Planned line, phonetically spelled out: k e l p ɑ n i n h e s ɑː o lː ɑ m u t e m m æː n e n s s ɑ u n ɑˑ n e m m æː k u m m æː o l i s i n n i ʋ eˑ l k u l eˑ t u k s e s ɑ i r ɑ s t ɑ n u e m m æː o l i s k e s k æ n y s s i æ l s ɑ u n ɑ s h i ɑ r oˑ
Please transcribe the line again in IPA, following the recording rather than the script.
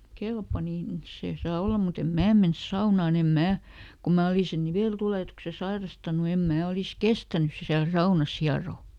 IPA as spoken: k e l p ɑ n i n s e s ɑː o lː ɑ m u t e m m æː m e n s s ɑ u n ɑˑ n e m m æː k u m m æː o l i s e n n i ʋ eˑ l t u l eˑ t u k s e s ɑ i r ɑ s t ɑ n u e m m æː o l i s k e s t æ n y s s i æ l s ɑ u n ɑ s h i ɑ r oˑ

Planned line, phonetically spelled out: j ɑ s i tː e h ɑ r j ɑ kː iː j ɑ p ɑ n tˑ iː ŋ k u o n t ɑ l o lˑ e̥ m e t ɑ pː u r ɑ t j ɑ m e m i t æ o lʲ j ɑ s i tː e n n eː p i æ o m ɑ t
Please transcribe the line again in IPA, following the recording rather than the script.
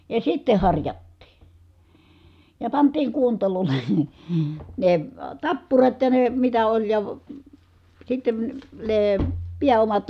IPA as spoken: j ɑ s i tː e h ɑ r j ɑ tː iː j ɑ p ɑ n tˑ iː ŋ k u o n t ɑ l o lˑ e̥ n e t ɑ pː u r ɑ t j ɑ n e m i t æ o lʲ j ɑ s i tː e n n eː p i æ o m ɑ t

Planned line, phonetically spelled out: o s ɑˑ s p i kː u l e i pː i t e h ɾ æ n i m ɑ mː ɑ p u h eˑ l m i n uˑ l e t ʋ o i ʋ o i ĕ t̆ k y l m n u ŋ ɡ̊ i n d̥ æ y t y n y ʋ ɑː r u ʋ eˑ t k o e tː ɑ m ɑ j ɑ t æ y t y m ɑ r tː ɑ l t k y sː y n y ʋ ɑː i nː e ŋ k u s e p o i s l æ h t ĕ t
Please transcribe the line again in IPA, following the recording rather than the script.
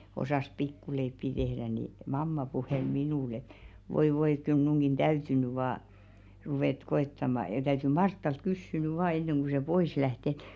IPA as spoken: o s ɑˑ s p i kː u l e i pː i t e h ɾ æ n i m ɑ mː ɑ p u h eˑ l m i n uˑ l e t ʋ o i ʋ o i ĕ t̆ k y l m n u ŋ ɡ̊ i n d̥ æ y t y n y ʋ ɑː r u ʋ eˑ t k o e tː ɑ m ɑ j ɑ t æ y t y m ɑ r tː ɑ l t k y sː y n y ʋ ɑː e nː e ŋ k u s e p o i s l æ h t ĕ t

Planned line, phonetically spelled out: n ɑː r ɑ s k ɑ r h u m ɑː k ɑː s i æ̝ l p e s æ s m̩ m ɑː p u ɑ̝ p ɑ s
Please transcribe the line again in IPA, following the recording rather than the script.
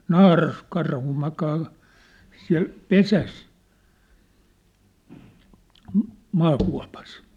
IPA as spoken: n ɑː r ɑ s k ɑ r h u m ɑ k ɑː s i æ̝ l p e s æ s m̩ m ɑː k u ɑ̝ p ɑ s

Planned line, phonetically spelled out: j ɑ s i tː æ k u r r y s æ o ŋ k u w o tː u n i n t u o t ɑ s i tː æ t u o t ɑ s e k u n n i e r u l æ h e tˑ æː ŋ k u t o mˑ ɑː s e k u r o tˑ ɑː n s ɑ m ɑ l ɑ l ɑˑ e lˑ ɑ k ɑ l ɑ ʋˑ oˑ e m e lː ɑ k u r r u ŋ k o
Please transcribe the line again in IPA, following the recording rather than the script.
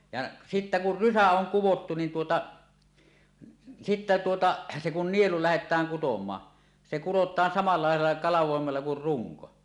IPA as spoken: j ɑ s i tː æ k u r r y s æ o ŋ k u w o tː u n i n t u o t ɑ s i tː æ t u o t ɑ s e k u n n i e l u l æ h e tˑ æː ŋ k u t o mˑ ɑː s e k u r o tˑ ɑː n s ɑ m ɑ l ɑ l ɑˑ e lˑ ɑ k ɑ l ɑ ʋˑ oˑ e m e lː ɑ k u r r u ŋ k o

